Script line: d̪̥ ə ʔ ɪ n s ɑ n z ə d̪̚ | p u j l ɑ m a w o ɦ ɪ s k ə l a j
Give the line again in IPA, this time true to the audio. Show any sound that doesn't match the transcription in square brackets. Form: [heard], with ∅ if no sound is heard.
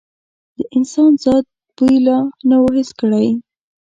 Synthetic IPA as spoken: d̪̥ ə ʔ ɪ n s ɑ n z [ɑ] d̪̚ | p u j l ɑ [n] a w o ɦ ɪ s k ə [ɽ] a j